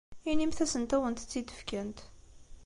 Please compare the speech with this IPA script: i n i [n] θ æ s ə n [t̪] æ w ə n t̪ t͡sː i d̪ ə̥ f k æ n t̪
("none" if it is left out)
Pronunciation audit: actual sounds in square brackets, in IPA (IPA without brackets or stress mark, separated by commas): m, t̪